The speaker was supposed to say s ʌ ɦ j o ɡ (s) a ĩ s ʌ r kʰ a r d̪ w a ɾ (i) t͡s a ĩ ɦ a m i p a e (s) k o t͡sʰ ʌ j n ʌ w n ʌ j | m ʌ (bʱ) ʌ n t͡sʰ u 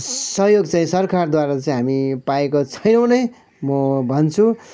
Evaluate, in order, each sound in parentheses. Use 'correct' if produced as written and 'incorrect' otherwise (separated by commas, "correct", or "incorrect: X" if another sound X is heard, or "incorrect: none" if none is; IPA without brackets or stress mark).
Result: incorrect: t͡s, incorrect: a, incorrect: none, correct